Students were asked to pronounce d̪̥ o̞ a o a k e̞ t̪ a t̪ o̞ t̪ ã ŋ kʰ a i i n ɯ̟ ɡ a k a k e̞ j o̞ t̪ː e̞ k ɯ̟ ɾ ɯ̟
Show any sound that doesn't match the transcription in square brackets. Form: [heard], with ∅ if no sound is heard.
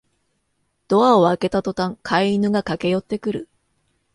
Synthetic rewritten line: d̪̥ o̞ a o a k e̞ t̪ a t̪ o̞ t̪ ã ŋ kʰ a i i n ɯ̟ ɡ a k a k e̞ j o̞ t̪ː e̞ k ɯ̟ ɾ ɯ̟

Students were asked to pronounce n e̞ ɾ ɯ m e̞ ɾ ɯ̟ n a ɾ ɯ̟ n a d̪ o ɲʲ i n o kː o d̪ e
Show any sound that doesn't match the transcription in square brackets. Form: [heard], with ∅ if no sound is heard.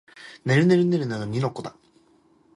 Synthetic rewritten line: n e̞ ɾ ɯ [n] e̞ ɾ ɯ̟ n [e] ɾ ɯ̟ n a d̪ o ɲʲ i n o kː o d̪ [a]

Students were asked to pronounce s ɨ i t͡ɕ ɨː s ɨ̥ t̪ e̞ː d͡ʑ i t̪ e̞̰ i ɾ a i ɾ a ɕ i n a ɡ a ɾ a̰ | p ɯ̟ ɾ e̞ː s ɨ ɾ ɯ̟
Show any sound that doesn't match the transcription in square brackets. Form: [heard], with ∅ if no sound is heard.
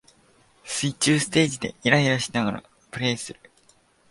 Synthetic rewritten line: s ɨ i t͡ɕ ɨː s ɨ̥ t̪ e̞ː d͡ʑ i [d̪] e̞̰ i ɾ a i ɾ a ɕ i n a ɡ a ɾ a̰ | p ɯ̟ ɾ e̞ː s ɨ ɾ ɯ̟

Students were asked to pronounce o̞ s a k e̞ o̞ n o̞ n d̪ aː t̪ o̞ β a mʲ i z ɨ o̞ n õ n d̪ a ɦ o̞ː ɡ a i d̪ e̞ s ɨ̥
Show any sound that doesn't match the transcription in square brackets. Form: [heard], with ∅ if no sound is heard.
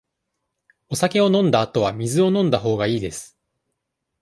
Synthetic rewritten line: o̞ s a k e̞ o̞ n [õ̞] n d̪ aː t̪ o̞ β a mʲ i z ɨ o̞ n õ n d̪ a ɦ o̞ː ɡ a [iː] d̪ e̞ s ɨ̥

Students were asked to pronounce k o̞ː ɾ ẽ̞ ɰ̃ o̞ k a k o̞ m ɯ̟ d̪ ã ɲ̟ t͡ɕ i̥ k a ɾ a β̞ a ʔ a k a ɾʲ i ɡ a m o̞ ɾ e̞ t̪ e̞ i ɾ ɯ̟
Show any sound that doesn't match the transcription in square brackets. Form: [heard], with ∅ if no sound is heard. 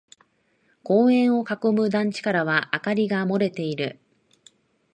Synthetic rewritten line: k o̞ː [∅] ẽ̞ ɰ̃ o̞ k a k o̞ m ɯ̟ d̪ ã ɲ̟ t͡ɕ i̥ k a ɾ a β̞ a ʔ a k a ɾʲ i ɡ a m o̞ ɾ e̞ t̪ e̞ i ɾ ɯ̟

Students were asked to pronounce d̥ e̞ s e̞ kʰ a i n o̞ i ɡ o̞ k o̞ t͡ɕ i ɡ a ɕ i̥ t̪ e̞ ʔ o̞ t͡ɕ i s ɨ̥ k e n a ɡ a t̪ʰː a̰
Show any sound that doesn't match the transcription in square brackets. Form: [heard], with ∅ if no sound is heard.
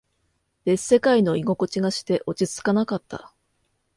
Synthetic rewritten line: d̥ e̞ s e̞ [k] a i n o̞ i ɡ o̞ k o̞ t͡ɕ i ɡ a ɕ i̥ t̪ e̞ ʔ o̞ t͡ɕ i [t͡s] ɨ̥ k [a] n a [k] a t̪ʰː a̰

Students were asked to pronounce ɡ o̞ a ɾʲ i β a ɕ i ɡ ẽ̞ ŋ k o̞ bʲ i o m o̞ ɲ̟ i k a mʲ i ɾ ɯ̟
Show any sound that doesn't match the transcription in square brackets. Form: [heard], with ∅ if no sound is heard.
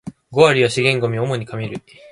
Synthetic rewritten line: ɡ o̞ a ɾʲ i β a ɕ i ɡ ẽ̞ ŋ [ɡ] o̞ [mʲ] i o m o̞ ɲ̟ i k a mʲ i ɾ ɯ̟

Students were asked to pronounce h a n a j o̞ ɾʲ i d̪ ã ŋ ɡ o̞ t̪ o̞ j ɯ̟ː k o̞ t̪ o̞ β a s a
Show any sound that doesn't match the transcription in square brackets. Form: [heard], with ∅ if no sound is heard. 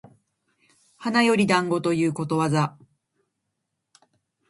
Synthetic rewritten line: h a n a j o̞ ɾʲ i d̪ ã ŋ ɡ o̞ t̪ o̞ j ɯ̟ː k o̞ t̪ o̞ β a [z] a

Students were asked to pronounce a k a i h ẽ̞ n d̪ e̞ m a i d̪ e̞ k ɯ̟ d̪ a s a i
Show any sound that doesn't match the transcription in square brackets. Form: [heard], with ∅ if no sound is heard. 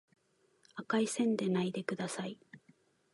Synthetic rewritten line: a k a i [s] ẽ̞ n d̪ e̞ [n] a i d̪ e̞ k ɯ̟ d̪ a s a i

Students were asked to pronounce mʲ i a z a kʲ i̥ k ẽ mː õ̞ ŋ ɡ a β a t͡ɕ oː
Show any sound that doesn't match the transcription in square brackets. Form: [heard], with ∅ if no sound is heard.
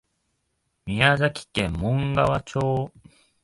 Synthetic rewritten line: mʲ i a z a kʲ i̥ k ẽ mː õ̞ ŋ ɡ a β a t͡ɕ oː

